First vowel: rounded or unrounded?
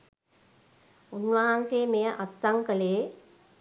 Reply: rounded